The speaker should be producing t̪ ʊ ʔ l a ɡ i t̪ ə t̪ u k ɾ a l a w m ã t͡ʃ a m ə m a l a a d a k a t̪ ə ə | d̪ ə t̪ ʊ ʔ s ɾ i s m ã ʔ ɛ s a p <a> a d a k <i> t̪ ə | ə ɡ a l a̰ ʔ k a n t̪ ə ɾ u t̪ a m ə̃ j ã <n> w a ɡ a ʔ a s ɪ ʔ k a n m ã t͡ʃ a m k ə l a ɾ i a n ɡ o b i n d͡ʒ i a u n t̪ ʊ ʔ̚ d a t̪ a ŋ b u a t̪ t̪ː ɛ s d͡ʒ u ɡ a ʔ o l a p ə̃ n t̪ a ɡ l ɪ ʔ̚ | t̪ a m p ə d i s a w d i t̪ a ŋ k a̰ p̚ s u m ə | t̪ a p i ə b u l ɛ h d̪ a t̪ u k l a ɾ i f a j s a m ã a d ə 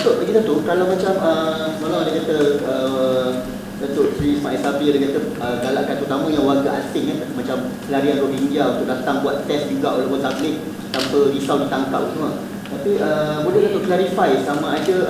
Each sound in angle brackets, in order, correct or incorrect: incorrect, incorrect, incorrect

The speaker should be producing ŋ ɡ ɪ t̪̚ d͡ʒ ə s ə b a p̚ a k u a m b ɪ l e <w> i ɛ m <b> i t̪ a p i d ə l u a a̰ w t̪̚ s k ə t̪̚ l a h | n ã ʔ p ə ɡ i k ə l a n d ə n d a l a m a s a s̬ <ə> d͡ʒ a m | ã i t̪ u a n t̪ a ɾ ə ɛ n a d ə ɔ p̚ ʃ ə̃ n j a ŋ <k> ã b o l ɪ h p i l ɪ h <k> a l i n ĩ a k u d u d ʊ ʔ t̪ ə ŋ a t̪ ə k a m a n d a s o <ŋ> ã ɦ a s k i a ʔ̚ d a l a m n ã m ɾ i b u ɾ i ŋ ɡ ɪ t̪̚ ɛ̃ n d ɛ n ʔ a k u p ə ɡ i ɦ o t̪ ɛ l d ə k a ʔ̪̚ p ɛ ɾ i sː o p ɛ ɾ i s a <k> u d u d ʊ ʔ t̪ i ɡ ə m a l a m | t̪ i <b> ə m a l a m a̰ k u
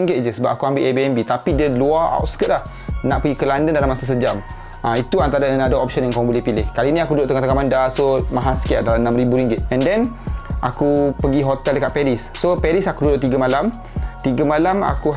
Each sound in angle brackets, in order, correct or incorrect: incorrect, correct, correct, correct, correct, incorrect, correct, incorrect

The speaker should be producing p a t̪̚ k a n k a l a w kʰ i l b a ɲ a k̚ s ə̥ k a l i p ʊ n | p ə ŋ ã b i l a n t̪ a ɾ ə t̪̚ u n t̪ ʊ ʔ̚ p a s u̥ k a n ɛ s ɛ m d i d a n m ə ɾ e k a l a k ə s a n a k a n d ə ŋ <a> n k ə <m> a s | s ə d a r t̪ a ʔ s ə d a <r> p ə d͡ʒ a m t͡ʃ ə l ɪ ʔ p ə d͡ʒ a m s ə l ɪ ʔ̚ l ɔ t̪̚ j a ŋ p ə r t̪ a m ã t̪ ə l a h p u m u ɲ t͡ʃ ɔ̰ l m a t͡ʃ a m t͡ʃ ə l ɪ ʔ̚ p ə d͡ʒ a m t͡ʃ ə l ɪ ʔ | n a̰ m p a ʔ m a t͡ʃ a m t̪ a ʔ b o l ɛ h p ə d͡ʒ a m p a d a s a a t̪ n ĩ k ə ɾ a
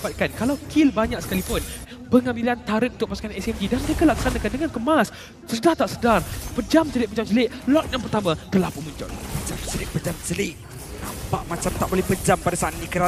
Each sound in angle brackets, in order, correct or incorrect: correct, correct, correct

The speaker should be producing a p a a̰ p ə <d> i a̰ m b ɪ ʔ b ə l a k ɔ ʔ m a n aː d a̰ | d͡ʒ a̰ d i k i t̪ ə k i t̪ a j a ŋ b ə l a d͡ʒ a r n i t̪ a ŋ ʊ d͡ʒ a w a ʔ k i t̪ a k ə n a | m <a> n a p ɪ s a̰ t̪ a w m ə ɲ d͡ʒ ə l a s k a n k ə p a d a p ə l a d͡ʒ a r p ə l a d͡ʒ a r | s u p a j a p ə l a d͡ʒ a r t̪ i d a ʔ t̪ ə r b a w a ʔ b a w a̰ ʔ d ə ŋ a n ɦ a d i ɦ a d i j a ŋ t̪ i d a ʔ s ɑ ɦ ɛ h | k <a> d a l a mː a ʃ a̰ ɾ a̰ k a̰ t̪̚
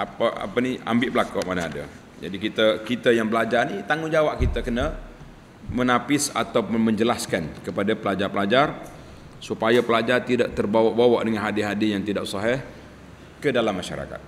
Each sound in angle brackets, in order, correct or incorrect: incorrect, incorrect, incorrect

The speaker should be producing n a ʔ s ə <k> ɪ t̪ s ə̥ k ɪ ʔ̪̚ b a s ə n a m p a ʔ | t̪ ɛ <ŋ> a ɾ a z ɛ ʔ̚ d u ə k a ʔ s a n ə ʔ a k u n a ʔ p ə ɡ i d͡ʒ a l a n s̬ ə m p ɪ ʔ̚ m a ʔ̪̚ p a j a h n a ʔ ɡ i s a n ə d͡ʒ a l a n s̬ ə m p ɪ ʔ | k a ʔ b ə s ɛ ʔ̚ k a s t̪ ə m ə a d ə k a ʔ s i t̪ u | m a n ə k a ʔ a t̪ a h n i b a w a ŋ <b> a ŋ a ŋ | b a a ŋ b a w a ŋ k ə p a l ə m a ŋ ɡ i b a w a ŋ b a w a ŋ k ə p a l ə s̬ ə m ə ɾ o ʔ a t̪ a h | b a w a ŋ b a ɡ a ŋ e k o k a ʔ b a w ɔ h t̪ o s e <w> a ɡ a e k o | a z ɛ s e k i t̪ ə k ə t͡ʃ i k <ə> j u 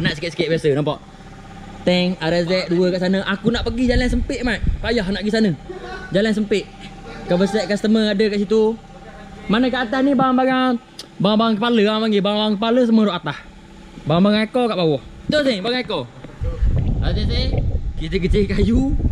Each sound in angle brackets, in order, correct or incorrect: correct, correct, correct, incorrect, incorrect

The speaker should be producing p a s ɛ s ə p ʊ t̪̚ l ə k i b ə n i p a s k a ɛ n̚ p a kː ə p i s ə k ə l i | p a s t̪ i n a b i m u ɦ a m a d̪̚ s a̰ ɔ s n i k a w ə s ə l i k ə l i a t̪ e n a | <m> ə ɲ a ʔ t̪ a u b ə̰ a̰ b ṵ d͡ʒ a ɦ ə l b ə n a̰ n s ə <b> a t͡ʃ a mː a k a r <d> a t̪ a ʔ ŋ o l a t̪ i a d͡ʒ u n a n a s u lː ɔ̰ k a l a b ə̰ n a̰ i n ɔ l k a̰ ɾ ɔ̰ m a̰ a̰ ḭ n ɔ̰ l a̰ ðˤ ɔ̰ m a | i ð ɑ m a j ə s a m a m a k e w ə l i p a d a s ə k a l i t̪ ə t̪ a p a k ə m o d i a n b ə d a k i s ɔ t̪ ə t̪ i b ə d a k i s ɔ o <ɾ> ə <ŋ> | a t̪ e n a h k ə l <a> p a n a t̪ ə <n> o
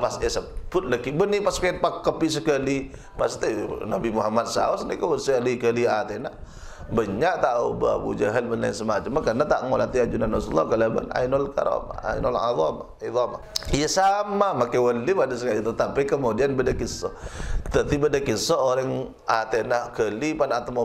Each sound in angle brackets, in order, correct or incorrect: incorrect, incorrect, incorrect, correct, correct, incorrect, incorrect

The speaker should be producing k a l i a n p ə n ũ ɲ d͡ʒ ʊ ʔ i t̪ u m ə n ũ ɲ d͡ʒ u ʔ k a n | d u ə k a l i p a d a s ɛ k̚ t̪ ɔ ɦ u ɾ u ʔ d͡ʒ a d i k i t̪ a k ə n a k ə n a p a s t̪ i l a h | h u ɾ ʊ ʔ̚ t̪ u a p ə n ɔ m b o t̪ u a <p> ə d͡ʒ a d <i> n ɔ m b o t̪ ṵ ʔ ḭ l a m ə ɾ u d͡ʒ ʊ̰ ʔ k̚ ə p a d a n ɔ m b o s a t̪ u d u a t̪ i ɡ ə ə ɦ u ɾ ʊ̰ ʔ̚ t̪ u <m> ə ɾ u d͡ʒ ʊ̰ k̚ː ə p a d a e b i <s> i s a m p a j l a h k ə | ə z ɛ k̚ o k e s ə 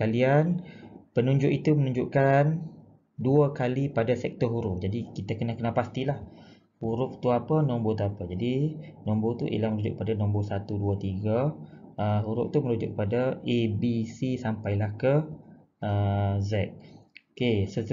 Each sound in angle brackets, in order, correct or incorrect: correct, correct, correct, correct

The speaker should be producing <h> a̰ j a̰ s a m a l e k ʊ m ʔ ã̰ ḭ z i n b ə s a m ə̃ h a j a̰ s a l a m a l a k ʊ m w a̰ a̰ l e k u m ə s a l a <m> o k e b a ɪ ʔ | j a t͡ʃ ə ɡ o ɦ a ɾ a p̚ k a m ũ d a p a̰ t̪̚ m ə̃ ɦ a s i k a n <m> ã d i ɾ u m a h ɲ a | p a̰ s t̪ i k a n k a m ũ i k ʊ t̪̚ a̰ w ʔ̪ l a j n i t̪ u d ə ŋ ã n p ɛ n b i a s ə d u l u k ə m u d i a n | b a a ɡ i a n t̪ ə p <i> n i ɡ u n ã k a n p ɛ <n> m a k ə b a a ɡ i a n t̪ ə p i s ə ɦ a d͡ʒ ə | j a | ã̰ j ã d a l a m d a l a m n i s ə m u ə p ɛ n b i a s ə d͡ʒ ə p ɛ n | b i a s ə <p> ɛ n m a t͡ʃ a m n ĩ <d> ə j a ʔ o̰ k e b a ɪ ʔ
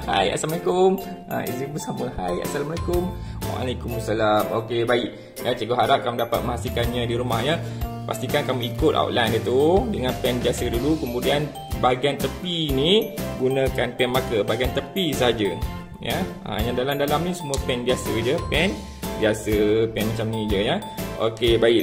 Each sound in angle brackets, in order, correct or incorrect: correct, correct, incorrect, correct, correct, correct, incorrect

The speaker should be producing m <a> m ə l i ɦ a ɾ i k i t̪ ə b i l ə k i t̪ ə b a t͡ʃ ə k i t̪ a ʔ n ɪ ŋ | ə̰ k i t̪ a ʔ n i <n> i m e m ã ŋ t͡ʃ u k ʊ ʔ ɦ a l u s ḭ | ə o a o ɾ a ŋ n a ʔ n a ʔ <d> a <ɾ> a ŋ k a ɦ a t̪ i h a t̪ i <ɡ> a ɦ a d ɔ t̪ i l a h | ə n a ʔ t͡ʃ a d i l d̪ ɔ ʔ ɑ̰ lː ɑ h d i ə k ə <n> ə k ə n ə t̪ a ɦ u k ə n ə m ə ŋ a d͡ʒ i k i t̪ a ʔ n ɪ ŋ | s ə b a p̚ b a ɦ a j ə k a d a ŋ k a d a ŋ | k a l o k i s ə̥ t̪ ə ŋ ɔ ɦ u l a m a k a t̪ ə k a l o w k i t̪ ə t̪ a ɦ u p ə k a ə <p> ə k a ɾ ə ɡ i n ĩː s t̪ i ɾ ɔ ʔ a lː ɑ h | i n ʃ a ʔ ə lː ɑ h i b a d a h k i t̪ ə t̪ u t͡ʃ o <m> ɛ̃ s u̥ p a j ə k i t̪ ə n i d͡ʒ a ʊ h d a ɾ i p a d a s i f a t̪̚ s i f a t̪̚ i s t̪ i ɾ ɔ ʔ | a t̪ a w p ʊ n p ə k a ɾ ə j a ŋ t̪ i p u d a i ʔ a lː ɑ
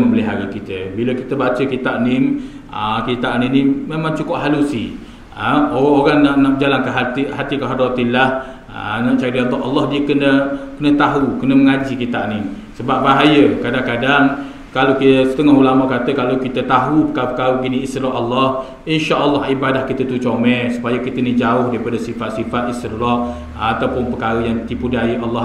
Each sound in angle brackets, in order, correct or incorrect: incorrect, correct, incorrect, incorrect, incorrect, correct, correct, correct

